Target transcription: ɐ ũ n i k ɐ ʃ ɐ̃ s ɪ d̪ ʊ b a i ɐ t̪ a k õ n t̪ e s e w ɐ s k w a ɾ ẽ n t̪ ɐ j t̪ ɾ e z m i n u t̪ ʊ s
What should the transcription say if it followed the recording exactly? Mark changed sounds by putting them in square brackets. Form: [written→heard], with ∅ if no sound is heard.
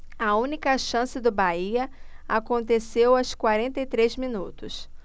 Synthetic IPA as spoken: ɐ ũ n i k ɐ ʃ ɐ̃ s ɪ d̪ ʊ b a i ɐ [t̪→∅] a k õ n t̪ e s e w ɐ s k w a ɾ ẽ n t̪ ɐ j t̪ ɾ e z m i n u t̪ ʊ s